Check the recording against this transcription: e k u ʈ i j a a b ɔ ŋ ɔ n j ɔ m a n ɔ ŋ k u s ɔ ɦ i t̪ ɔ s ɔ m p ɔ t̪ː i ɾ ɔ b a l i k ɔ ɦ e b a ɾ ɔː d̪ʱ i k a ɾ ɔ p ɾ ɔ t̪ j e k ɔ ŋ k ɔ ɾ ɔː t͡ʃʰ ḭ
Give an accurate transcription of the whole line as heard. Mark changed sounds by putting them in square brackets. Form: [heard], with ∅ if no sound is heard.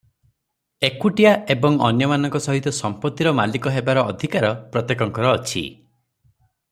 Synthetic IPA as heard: e k u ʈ i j a [e] b ɔ ŋ ɔ n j ɔ m a n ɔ ŋ k [ɔ] s ɔ ɦ i t̪ ɔ s ɔ m p ɔ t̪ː i ɾ ɔ [m] a l i k ɔ ɦ e b a ɾ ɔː d̪ʱ i k a ɾ ɔ p ɾ ɔ t̪ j e k ɔ ŋ k ɔ ɾ ɔː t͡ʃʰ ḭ